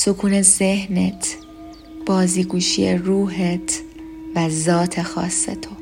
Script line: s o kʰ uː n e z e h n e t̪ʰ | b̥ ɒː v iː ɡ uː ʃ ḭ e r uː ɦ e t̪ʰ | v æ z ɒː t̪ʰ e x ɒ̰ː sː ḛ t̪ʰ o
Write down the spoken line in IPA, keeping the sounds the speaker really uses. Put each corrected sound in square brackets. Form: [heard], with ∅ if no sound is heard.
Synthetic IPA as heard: s o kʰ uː n e z e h n e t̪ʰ | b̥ ɒː [z] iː ɡ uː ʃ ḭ e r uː ɦ e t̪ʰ | v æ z ɒː t̪ʰ e x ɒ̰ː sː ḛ t̪ʰ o